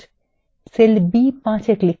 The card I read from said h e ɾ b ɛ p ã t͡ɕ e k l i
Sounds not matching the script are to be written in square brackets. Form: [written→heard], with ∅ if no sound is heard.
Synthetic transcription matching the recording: [h→s] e [ɾ→l] b [ɛ→i] p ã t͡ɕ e k l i